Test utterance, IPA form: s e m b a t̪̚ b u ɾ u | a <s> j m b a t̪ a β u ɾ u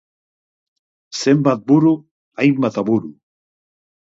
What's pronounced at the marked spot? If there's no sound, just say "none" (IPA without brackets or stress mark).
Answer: none